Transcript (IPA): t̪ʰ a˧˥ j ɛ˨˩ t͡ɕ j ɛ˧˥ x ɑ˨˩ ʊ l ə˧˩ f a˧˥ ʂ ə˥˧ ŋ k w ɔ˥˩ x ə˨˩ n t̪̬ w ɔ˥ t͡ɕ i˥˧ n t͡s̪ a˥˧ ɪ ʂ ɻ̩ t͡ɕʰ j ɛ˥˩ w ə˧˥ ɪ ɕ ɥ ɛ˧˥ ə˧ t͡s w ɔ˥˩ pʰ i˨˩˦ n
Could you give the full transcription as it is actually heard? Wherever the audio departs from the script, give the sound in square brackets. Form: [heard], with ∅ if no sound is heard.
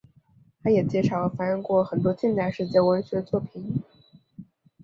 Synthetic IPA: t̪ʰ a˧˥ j ɛ˨˩ t͡ɕ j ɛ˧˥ [ʂ] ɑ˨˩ ʊ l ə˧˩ f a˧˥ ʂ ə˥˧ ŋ k w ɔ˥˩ x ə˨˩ n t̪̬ w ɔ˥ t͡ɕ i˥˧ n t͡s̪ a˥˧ ɪ ʂ ɻ̩ [t͡ɕ] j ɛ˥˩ w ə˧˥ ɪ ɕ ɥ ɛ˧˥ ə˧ t͡s w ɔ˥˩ pʰ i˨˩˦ n